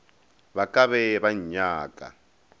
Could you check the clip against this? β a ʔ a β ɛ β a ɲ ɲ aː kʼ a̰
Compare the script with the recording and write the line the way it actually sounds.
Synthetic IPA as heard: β a k a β ɛ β a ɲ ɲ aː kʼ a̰